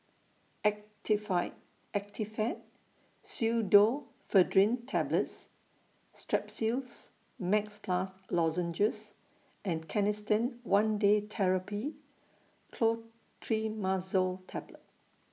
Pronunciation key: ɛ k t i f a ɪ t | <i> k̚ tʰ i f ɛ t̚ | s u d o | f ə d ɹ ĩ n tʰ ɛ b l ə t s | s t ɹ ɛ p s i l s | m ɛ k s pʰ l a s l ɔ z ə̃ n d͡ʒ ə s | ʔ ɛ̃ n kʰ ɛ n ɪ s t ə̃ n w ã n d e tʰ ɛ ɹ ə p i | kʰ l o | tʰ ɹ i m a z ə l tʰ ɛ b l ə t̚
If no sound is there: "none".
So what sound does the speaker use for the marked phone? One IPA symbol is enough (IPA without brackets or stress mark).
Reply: ɛ